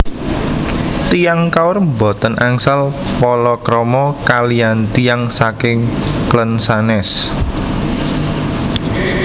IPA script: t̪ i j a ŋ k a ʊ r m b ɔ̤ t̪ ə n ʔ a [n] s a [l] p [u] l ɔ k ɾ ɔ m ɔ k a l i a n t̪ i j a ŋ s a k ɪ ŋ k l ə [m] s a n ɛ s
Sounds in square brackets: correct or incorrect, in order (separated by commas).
incorrect, correct, incorrect, incorrect